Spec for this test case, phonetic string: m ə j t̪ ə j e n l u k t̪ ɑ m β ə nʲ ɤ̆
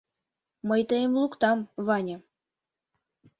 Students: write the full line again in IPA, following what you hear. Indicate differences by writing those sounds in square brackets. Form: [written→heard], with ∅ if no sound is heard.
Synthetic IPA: m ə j t̪ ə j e [n→m] l u k t̪ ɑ m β [ə→ɑ] nʲ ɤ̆